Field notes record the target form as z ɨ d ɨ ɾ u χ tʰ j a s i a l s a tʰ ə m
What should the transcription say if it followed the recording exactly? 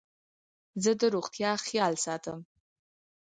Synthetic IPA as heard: z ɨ d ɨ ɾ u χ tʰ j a χ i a l s a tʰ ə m

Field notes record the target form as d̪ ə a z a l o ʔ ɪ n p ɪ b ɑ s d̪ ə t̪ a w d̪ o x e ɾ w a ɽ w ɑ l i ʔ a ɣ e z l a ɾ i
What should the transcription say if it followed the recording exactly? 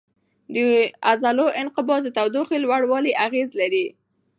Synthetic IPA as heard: d̪ ə a z a l o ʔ ɪ n q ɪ b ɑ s d̪ ə t̪ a w d̪ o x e l w a ɽ w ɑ l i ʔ a ɣ e z l a ɾ i

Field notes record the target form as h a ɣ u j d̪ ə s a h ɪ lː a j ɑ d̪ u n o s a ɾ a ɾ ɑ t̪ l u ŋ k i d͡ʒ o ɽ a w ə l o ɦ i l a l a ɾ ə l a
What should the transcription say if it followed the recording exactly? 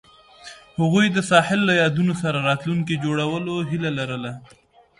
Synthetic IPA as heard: h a ɣ u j d̪ ə s ɑ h ɪ lː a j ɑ d̪ u n o s a ɾ a ɾ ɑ t̪ l u ŋ k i d͡ʒ o ɽ a w ə l o ɦ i l a l a ɾ ə l a

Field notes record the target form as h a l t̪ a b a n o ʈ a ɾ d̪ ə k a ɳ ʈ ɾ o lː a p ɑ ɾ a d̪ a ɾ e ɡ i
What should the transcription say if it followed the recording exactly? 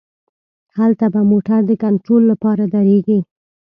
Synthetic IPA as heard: h a l t̪ a b a m o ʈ a ɾ d̪ ə k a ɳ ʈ ɾ o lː a p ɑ ɾ a d̪ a ɾ e ɡ i

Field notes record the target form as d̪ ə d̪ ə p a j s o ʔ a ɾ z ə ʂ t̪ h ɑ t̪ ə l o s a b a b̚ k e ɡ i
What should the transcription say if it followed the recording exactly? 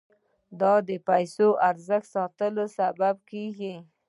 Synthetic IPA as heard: d̪ ɑ d̪ ə p a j s o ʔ a ɾ z ə x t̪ s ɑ t̪ ə l o s a b a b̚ k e ɡ i

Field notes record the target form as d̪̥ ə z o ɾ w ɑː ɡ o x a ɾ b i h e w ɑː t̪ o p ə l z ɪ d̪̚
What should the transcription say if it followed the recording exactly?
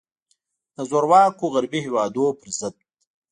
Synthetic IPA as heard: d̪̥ ə z o ɾ w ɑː k o ɣ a ɾ b i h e w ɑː d̪ o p ə ɾ z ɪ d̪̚

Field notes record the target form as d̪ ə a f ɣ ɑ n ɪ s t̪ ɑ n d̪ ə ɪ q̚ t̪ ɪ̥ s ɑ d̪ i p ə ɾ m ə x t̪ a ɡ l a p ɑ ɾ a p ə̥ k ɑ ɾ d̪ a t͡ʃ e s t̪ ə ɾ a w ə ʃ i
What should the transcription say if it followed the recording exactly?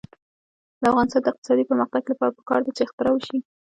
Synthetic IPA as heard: d̪ ə a f ɣ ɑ n ɪ s t̪ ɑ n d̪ ə ɪ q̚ t̪ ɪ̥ s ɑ d̪ i p ə ɾ m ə x t̪ a ɡ l a p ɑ ɾ a p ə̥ k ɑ ɾ d̪ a t͡ʃ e x t̪ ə ɾ a w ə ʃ i

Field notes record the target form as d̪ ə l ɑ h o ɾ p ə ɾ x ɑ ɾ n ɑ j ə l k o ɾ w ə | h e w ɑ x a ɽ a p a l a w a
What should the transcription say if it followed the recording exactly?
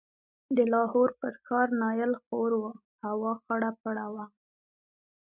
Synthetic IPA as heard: d̪ ə l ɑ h o ɾ p ə ɾ x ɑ ɾ n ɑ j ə l x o ɾ w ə | h a w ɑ x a ɽ a p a ɽ a w a

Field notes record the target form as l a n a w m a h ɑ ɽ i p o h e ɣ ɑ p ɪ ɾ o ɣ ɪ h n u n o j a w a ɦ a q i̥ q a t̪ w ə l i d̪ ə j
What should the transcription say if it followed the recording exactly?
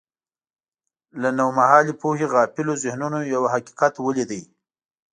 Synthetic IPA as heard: l a n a w m a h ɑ l i p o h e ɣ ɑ p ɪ l o z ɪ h n u n o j a w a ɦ a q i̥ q a t̪ w ə l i d̪ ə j

